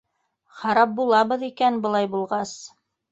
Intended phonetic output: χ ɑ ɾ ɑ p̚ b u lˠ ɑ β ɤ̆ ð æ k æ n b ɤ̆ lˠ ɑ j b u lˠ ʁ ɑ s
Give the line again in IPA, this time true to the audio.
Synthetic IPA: χ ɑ ɾ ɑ p̚ b u lˠ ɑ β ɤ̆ ð i k æ n b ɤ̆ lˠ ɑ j b u lˠ ʁ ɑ s

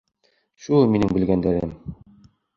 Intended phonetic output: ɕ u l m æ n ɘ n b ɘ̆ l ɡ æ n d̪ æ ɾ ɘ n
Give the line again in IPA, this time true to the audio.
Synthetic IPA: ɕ u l m i n ɘ ŋ b ɘ̆ l ɡ æ n d̪ æ ɾ ɘ m

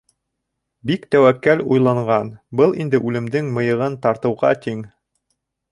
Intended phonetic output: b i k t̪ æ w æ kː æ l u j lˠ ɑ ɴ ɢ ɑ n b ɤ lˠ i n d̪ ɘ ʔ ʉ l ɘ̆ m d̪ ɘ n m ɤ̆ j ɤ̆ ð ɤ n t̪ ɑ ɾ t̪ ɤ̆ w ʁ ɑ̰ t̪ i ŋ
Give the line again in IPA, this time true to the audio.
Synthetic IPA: b i k t̪ æ w æ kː æ l u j lˠ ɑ ɴ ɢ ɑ n b ɤ lˠ i n d̪ ɘ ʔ ʉ l ɘ̆ m d̪ ɘ ŋ m ɤ̆ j ɤ̆ ʁ ɤ n t̪ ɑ ɾ t̪ ɤ̆ w ʁ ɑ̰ t̪ i ŋ

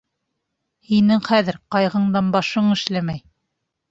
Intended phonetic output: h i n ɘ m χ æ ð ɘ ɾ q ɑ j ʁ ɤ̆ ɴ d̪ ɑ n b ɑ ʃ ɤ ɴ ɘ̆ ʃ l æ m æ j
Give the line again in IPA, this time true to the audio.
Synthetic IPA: h i n ɘ ŋ χ æ ð ɘ ɾ q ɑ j ʁ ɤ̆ ɴ d̪ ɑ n b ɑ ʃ ɤ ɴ ɘ̆ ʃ l æ m æ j

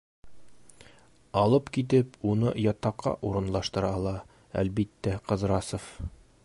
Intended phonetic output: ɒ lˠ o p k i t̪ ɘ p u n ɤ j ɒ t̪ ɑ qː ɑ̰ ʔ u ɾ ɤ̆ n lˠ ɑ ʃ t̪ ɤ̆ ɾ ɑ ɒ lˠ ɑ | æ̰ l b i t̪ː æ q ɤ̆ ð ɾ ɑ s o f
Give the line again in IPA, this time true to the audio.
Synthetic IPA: ɒ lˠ ɤ p k i t̪ ɘ p u n ɤ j ɒ t̪ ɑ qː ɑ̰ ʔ u ɾ ɤ̆ n lˠ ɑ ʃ t̪ ɤ̆ ɾ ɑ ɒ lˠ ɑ | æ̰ l b i t̪ː æ q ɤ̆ z ɾ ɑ s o f

